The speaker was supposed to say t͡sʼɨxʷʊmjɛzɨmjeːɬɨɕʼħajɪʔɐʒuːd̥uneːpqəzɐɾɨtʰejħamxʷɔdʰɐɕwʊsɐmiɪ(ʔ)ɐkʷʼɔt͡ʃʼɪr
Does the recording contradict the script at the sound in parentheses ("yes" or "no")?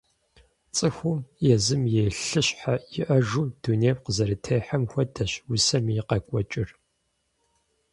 yes